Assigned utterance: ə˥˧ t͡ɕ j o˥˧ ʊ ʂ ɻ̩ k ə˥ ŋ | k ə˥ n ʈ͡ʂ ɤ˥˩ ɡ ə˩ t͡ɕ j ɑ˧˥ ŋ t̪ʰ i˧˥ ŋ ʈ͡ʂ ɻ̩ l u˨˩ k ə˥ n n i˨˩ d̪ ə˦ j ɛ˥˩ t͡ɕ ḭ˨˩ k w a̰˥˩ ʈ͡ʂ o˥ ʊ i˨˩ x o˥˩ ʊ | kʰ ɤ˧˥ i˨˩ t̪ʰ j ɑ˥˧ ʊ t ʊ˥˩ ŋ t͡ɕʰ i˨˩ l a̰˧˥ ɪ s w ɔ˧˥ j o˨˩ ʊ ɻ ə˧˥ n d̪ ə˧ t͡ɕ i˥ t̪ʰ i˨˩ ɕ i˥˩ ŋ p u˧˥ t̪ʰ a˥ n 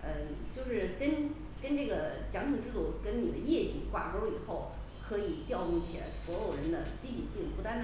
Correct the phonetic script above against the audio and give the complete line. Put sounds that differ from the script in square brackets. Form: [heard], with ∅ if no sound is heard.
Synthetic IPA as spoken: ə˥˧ t͡ɕ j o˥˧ ʊ ʂ ɻ̩ k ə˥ [n] | k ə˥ n ʈ͡ʂ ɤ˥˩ ɡ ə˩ t͡ɕ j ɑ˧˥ ŋ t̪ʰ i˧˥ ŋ ʈ͡ʂ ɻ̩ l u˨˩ k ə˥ n n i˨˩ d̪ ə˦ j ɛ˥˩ t͡ɕ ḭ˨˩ k w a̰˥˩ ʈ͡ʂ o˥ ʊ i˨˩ x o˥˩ ʊ | kʰ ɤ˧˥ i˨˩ [t̪] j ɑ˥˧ ʊ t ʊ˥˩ ŋ t͡ɕʰ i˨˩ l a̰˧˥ ɪ s w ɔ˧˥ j o˨˩ ʊ ɻ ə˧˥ n d̪ ə˧ t͡ɕ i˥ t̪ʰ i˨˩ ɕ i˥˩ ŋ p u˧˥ [t̪] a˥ n